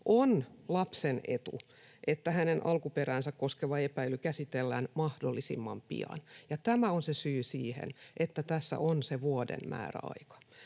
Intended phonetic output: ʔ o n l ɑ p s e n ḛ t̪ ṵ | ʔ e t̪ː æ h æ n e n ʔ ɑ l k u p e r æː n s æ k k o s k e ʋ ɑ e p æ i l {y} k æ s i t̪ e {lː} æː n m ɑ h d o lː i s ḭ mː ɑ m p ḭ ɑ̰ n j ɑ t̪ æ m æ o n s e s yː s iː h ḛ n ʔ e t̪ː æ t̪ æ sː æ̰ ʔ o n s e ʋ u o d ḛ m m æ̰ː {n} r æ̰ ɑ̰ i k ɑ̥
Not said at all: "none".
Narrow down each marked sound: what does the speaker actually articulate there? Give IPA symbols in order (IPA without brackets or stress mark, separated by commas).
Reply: y, lː, none